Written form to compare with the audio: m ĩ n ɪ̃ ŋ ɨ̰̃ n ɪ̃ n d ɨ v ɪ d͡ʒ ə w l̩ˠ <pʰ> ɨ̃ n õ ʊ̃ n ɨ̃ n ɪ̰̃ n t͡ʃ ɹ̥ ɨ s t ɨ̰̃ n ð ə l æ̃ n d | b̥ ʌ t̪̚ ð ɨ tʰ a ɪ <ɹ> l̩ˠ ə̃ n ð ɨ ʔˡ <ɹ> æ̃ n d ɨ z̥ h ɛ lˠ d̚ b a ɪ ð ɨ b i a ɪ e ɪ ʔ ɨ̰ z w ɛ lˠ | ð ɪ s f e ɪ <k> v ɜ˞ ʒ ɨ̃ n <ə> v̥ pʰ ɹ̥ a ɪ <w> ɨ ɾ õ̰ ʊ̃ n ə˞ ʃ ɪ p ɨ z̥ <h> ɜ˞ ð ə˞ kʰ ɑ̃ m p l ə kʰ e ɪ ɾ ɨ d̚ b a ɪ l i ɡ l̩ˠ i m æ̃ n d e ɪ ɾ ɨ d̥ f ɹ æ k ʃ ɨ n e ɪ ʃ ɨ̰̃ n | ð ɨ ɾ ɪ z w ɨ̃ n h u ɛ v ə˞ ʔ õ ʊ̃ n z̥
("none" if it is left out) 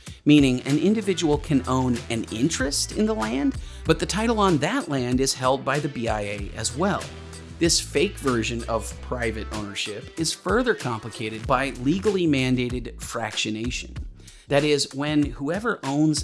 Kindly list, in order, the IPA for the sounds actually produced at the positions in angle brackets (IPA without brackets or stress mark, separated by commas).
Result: kʰ, ɾ, l, k, ʌ, v, f